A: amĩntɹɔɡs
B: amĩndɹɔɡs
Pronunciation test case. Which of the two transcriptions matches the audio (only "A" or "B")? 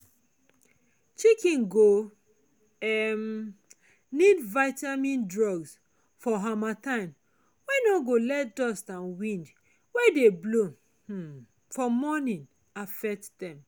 B